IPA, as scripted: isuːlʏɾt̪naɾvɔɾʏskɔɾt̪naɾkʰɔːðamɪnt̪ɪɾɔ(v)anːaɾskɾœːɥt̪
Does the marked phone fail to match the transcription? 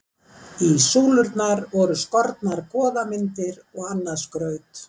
yes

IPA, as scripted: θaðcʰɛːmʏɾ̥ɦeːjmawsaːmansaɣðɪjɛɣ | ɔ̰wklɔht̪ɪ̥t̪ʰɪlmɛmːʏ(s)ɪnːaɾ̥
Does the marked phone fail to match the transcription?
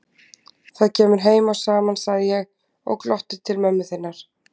yes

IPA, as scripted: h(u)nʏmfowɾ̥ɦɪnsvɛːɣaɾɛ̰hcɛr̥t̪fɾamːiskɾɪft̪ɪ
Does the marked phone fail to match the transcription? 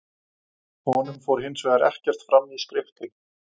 yes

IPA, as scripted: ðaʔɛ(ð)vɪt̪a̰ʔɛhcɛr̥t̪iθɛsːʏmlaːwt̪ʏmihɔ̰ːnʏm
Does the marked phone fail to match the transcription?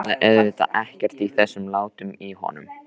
no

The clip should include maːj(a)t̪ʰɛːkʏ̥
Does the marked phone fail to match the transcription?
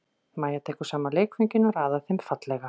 no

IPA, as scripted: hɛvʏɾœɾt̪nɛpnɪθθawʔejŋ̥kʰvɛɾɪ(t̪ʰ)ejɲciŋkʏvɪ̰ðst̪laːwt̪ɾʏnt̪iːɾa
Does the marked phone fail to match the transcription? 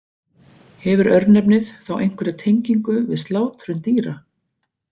no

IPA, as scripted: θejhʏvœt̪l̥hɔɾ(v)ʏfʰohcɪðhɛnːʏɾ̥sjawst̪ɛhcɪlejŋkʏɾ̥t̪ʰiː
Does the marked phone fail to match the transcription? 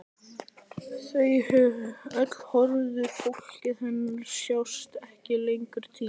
yes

